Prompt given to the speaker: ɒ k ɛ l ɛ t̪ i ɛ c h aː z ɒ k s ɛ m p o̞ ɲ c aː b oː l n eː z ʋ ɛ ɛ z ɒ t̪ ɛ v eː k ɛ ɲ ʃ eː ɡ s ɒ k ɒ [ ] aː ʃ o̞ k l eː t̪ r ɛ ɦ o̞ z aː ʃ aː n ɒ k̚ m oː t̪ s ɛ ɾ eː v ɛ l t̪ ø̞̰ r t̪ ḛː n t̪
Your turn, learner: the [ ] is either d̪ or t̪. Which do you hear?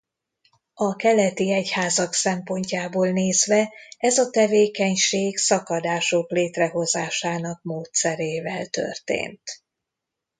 d̪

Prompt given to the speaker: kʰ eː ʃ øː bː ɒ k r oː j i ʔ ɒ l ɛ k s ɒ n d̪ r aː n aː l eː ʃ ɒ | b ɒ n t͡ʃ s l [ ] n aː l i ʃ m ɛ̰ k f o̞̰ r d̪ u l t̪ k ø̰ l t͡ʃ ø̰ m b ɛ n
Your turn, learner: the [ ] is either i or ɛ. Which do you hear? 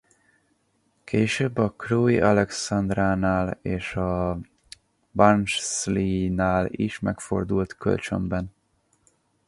i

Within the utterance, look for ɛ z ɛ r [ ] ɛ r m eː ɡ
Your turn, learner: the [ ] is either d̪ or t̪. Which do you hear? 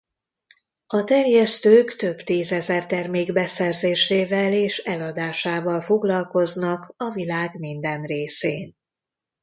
t̪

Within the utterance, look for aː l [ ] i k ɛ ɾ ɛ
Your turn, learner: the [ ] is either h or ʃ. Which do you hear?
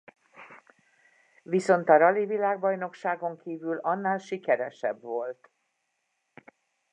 ʃ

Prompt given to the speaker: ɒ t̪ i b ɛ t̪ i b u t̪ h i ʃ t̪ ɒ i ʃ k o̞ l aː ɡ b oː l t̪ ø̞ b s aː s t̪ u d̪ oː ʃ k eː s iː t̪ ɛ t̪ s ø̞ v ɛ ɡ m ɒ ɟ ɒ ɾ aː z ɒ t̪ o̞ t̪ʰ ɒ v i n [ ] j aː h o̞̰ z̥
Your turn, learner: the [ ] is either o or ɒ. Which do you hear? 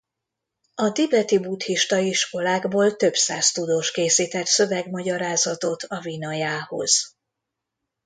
ɒ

